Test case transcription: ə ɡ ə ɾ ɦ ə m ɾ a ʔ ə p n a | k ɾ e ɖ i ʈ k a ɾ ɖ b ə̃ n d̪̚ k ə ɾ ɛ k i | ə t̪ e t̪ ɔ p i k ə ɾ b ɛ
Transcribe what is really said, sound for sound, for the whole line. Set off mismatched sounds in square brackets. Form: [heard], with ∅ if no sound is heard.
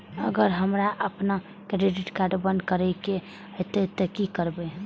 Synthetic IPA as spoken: ə ɡ ə ɾ ɦ ə m ɾ a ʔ ə p n a | k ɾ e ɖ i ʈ k a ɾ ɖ b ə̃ n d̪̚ k ə ɾ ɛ k [e] | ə t̪ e t̪ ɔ [k] i k ə ɾ b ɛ